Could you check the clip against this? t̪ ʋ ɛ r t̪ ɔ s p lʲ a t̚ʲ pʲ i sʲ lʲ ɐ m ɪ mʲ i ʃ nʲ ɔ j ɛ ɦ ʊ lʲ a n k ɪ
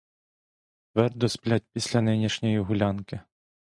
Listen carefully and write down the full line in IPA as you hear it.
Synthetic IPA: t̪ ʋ ɛ r d̪ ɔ s p lʲ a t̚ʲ pʲ i sʲ lʲ ɐ n ɪ nʲ i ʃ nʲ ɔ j i ɦ ʊ lʲ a n k ɪ